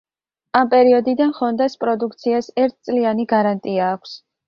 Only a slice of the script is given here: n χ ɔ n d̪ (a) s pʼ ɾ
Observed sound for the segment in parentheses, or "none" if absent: a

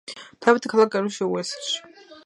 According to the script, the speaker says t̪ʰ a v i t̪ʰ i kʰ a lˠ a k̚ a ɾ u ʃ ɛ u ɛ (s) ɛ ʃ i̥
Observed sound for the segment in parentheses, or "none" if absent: s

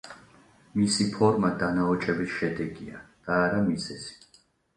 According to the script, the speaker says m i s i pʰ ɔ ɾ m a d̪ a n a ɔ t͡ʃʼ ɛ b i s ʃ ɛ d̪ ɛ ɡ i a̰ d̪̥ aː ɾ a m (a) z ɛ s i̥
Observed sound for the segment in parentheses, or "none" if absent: i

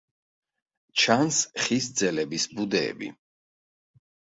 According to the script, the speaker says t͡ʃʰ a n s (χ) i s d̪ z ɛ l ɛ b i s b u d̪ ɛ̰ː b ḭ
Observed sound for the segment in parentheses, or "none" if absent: χ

